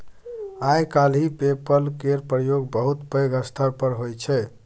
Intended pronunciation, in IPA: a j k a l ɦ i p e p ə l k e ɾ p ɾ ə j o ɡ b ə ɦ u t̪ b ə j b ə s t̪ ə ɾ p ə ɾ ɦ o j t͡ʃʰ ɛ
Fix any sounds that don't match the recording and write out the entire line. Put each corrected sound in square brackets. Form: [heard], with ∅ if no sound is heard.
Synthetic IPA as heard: a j k a l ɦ i p e p ə l k e ɾ p ɾ ə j o ɡ b ə ɦ u t̪ [p] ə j [ɡ] ə s [t̪ʰ] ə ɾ p ə ɾ ɦ o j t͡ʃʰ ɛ